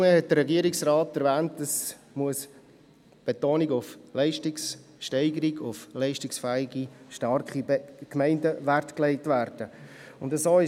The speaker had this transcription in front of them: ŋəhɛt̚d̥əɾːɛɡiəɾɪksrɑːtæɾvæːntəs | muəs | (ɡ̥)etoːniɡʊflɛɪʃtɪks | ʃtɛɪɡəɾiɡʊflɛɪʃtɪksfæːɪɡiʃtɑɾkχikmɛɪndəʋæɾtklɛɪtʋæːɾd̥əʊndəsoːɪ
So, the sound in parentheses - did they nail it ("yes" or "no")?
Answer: no